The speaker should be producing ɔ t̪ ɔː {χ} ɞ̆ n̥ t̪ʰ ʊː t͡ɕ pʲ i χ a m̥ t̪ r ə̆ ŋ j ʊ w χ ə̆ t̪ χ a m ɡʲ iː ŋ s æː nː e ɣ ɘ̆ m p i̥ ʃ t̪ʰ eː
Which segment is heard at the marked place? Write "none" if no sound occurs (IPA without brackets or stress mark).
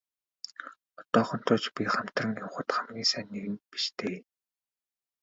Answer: χ